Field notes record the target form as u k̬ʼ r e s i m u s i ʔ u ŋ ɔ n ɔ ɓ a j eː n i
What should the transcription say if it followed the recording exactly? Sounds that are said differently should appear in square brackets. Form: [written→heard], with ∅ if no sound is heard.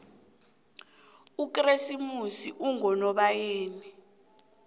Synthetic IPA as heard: u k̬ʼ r e s i m u s i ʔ u ŋ ɔ n ɔ ɓ a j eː n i